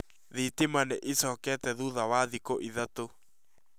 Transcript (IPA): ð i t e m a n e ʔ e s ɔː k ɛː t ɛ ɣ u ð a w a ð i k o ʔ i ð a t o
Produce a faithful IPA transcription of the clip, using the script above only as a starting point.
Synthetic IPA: ð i t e m a n e ʔ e s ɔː k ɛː t ɛ ð u ð a w a ð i k o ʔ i ð a t o